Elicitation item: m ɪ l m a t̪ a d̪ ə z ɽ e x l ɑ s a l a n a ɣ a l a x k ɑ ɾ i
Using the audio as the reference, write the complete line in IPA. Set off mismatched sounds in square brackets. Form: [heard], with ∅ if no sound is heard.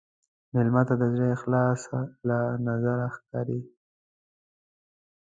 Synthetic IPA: m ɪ l m a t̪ a d̪ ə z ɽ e x l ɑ s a l a n a [z] a [ɾ] a x k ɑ ɾ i